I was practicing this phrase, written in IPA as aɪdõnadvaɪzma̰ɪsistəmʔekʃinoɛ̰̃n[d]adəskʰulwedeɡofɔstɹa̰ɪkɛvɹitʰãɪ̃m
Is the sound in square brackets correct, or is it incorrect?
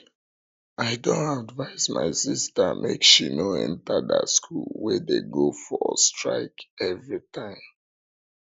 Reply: incorrect: t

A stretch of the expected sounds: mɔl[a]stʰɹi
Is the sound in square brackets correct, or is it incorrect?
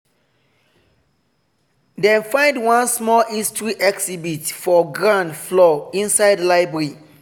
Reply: incorrect: i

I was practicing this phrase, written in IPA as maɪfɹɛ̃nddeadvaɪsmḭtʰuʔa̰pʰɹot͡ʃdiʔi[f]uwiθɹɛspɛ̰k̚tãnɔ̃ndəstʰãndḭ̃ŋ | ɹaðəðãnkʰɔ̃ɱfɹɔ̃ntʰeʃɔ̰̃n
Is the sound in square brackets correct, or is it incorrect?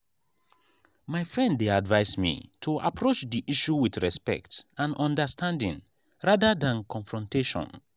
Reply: incorrect: ʃ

